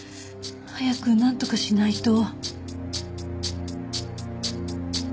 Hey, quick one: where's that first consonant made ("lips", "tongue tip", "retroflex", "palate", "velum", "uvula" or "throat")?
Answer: throat